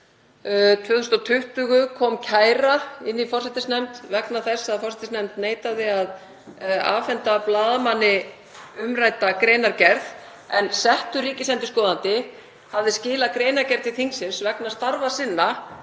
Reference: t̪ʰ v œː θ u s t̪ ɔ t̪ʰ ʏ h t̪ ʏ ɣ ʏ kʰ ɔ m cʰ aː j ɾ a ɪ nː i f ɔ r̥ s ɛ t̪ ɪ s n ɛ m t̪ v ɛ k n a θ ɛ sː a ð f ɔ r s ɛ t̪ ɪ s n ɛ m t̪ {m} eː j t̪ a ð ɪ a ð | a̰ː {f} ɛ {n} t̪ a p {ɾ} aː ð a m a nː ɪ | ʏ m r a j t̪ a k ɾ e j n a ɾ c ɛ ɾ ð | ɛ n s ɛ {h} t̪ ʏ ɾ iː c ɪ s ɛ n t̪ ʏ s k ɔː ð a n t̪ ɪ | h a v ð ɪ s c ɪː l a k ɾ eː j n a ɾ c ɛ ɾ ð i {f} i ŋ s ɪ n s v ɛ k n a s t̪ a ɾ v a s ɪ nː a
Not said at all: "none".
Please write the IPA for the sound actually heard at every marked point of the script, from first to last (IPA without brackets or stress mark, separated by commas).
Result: n, f, n, l, h, θ